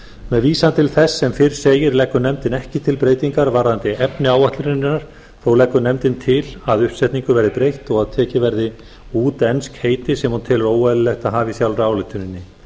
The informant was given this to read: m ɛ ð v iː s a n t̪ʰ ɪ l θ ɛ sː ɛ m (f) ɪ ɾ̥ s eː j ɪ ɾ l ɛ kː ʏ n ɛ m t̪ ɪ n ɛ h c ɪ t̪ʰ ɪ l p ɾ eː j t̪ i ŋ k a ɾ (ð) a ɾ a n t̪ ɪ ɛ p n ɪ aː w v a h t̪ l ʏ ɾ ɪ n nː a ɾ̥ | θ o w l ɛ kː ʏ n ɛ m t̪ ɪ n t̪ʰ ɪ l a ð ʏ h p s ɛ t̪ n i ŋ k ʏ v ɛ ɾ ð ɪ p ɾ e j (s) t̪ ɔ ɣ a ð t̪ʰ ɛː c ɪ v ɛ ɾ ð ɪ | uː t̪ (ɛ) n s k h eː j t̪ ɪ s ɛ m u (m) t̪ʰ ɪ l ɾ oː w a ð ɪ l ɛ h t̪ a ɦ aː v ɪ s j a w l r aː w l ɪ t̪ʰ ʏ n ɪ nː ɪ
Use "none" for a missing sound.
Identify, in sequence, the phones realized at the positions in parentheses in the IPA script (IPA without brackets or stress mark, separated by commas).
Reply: f, v, h, ɛ, n